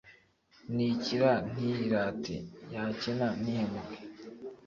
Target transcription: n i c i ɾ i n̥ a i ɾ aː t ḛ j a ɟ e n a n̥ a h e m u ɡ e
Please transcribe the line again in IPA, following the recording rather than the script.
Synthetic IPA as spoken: n i c i ɾ a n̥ i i ɾ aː t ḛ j a c e n a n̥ i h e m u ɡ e